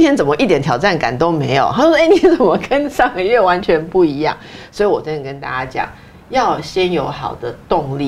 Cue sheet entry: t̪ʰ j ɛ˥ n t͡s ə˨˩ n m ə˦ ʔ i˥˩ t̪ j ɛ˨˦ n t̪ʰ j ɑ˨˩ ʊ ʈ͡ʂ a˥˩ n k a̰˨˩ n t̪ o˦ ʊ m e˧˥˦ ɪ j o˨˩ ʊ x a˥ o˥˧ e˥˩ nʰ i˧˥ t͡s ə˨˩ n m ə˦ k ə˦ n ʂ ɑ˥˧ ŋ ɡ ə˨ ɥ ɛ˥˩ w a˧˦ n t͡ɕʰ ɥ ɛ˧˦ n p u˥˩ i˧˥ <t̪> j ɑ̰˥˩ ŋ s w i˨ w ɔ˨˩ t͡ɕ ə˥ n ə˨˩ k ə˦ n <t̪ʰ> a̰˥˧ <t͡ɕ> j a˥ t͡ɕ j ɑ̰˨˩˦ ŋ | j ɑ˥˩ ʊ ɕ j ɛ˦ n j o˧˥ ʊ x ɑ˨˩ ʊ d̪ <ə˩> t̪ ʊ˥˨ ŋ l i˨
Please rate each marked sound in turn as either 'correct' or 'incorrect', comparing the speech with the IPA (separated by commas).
incorrect, incorrect, correct, incorrect